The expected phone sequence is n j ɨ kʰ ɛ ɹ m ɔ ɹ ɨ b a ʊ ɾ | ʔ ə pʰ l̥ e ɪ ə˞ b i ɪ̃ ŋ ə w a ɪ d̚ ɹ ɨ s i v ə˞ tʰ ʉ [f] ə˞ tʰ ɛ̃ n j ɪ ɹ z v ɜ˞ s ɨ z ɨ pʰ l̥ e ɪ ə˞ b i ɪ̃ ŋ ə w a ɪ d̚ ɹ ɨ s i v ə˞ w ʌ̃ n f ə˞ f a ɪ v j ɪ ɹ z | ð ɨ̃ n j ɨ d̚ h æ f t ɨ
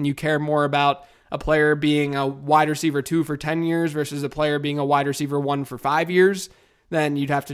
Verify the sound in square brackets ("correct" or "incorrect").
correct